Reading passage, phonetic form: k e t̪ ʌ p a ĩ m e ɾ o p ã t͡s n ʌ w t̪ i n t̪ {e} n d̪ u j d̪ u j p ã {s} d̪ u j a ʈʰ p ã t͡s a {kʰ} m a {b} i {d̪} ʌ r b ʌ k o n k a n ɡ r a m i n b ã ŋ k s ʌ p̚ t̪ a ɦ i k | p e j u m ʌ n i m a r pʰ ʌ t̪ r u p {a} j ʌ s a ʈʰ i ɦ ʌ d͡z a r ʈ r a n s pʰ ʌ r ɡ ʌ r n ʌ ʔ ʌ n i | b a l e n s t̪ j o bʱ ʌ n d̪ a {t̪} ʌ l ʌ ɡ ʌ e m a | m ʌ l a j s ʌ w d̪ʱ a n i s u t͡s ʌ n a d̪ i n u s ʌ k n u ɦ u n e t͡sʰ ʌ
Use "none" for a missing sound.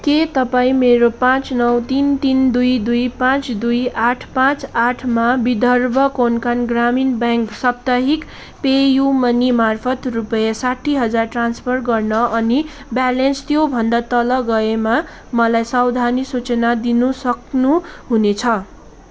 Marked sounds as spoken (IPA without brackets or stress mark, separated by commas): i, t͡s, ʈʰ, b, d̪, ʌ, t̪